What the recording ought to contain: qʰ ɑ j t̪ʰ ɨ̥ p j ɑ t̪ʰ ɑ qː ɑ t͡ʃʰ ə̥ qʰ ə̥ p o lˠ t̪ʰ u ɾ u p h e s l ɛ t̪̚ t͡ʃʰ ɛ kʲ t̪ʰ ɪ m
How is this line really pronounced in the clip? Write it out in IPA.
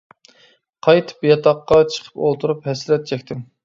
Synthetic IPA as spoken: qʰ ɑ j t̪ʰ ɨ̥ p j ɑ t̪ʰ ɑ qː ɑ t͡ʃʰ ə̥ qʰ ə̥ p o lˠ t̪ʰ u ɾ u p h ɛ s l ɛ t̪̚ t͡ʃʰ ɛ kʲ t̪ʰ ɪ m